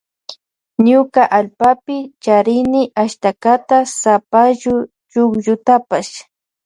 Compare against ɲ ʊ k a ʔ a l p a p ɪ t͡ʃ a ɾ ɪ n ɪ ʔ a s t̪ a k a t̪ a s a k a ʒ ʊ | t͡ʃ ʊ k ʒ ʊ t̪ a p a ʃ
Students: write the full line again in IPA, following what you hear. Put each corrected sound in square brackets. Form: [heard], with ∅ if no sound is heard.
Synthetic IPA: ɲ ʊ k a ʔ a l p a p ɪ t͡ʃ a ɾ ɪ n ɪ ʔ a [ʃ] t̪ a k a t̪ a s a [p] a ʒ ʊ | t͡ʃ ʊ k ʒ ʊ t̪ a p a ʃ